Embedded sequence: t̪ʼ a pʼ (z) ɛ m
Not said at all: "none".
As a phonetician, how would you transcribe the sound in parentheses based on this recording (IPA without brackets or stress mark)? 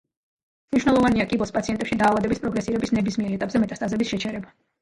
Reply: z